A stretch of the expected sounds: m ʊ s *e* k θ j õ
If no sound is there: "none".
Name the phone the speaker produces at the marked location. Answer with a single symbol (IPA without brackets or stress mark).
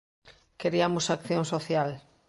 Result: a